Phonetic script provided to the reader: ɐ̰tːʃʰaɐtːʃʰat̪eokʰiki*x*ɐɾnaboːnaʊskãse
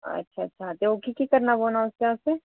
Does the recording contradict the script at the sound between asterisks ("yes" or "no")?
yes